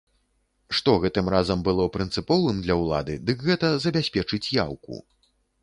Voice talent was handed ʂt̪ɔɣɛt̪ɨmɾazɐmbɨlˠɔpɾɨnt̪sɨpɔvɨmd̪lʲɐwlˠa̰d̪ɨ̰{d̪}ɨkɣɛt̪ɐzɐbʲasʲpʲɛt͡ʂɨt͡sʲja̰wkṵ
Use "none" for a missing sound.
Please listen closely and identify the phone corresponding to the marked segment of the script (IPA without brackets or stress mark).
d̪